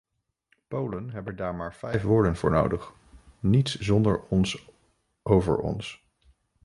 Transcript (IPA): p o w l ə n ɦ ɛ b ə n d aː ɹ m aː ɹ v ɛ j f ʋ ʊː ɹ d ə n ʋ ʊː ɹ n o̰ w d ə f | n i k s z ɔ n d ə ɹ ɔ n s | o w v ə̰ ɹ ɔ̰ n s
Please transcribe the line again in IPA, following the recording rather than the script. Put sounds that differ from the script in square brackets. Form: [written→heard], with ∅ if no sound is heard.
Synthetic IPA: p o w l ə n ɦ ɛ b ə n d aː ɹ m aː ɹ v ɛ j f ʋ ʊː ɹ d ə n [ʋ→v] ʊː ɹ n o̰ w d ə [f→χ] | n i [k→t] s z ɔ n d ə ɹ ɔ n s | o w v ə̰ ɹ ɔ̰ n s